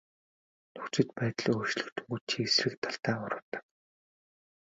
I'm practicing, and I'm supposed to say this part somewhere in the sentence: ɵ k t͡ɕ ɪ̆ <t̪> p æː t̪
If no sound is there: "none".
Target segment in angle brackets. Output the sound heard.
t̪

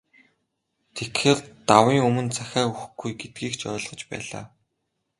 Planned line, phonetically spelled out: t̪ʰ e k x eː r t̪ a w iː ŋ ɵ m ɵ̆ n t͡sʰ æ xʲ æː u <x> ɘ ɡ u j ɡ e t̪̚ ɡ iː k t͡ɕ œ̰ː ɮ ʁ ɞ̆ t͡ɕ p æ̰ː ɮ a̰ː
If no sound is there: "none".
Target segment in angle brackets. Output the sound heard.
x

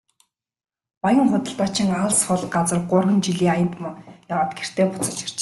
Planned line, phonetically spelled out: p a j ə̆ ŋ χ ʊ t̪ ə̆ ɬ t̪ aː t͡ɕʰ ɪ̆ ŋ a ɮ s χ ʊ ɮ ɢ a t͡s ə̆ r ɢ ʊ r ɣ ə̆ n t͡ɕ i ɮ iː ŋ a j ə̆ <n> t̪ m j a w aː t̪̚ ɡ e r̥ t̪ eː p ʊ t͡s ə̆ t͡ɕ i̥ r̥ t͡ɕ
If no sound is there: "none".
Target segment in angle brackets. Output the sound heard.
n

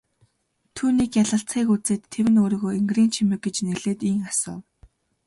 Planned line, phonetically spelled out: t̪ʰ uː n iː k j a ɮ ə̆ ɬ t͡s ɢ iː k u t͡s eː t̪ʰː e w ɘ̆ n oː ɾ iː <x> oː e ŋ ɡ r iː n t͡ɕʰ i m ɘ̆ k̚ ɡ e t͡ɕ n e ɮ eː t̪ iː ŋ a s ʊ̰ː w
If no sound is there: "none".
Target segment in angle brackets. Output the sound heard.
ɣ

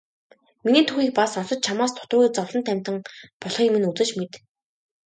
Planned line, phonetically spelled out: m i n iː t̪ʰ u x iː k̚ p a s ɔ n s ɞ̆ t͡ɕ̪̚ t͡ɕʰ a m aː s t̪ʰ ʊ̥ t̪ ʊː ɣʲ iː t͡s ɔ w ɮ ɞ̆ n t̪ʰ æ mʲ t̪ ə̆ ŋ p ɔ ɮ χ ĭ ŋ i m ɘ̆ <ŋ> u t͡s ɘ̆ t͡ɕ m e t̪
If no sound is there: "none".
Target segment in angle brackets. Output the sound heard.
n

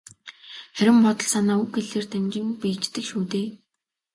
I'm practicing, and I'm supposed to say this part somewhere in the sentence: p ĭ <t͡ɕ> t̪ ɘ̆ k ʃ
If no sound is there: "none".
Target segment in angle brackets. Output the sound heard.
t͡ɕ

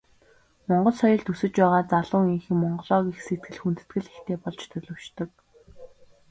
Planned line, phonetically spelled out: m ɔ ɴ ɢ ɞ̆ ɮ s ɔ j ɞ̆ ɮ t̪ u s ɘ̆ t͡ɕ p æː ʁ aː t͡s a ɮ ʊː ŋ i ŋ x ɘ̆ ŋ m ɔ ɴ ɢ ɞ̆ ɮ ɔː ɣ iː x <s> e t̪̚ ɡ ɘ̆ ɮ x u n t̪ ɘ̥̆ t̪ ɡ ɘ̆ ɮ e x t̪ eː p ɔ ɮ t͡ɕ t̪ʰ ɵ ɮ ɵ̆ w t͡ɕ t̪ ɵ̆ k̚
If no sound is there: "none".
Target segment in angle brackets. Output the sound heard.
s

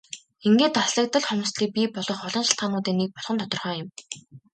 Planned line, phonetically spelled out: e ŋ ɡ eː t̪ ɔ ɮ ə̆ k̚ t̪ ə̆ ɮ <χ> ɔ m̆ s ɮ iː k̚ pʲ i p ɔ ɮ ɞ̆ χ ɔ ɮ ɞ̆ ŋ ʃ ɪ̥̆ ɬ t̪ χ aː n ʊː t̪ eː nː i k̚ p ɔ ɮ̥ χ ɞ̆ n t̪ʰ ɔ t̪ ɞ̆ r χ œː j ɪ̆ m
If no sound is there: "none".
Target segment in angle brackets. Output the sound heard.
χ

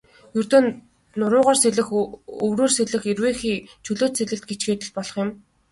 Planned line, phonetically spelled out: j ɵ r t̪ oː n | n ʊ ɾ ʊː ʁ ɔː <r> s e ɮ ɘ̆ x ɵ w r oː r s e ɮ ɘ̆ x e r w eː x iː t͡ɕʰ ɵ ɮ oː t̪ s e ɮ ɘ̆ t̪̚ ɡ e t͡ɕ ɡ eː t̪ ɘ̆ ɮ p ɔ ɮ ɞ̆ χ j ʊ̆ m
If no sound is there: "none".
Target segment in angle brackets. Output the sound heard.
r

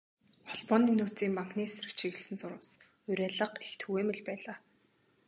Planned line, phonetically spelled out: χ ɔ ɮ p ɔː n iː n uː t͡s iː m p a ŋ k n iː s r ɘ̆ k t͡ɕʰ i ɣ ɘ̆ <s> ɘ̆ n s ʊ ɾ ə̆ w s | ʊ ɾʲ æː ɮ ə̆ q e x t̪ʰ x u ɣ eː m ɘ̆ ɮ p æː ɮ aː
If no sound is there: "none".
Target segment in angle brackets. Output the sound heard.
s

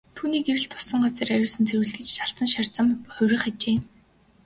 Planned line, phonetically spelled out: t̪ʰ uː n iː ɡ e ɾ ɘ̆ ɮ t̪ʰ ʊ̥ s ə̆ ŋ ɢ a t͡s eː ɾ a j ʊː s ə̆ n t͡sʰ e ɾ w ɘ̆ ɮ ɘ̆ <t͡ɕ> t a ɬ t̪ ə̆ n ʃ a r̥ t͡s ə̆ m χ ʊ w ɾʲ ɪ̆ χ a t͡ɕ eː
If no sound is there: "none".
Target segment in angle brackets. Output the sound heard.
t͡ɕ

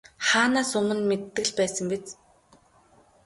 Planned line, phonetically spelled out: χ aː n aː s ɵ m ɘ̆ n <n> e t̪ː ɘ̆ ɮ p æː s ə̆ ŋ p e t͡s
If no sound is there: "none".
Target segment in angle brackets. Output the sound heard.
m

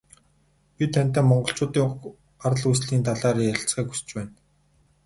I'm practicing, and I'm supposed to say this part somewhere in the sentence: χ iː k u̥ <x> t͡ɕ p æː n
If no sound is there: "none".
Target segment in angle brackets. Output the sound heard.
s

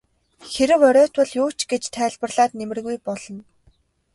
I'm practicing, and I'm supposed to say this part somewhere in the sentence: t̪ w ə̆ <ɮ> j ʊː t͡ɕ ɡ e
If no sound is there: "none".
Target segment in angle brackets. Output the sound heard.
ɮ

